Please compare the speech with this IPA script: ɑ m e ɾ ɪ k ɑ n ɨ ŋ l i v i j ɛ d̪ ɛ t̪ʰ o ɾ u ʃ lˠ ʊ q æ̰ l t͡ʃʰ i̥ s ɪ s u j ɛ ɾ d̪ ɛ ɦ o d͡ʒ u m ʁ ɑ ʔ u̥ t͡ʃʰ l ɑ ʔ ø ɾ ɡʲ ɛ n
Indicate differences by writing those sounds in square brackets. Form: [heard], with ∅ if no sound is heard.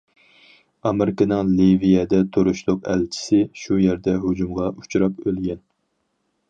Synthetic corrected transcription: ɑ m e ɾ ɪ k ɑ n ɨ ŋ l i v i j ɛ d̪ ɛ t̪ʰ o ɾ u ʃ lˠ ʊ q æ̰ l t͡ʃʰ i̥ s ɪ [ʃ] u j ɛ ɾ d̪ ɛ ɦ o d͡ʒ u m ʁ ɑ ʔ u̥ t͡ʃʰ [ɾ] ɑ [p] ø [l] ɡʲ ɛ n

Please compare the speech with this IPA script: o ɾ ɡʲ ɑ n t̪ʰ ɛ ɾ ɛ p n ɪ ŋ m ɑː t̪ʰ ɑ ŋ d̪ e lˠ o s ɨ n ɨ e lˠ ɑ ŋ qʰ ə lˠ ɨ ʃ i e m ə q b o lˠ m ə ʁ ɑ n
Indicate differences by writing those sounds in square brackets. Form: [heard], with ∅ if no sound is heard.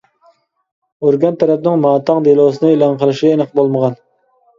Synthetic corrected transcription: o ɾ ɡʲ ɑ n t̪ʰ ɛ ɾ ɛ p n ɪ ŋ m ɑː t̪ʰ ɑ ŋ d̪ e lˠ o s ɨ n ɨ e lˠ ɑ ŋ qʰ ə lˠ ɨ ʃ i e [n] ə q b o lˠ m ə ʁ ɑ n

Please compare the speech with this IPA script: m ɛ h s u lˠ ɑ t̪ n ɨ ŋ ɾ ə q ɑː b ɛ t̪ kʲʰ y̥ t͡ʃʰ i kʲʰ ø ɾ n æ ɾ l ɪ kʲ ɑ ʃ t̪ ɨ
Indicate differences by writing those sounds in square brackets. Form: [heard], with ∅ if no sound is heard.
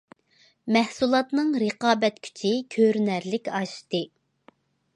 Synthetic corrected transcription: m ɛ h s u lˠ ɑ t̪ n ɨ ŋ ɾ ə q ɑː b ɛ t̪ kʲʰ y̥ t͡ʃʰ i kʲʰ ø ɾ n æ ɾ l ɪ kʲ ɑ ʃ t̪ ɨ

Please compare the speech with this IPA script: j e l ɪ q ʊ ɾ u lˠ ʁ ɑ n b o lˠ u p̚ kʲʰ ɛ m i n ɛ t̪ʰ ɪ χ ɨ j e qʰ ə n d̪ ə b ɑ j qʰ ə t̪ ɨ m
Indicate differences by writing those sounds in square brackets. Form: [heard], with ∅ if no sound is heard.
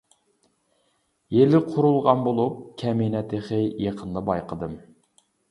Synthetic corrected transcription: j e l ɪ [qʰ] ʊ ɾ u lˠ ʁ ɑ n b o lˠ u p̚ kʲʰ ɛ m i n ɛ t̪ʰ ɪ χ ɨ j e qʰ ə n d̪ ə b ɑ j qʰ ə [d̪] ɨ m

